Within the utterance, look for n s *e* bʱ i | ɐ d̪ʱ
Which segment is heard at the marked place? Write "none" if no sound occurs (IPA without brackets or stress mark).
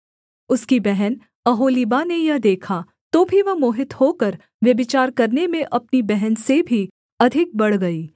e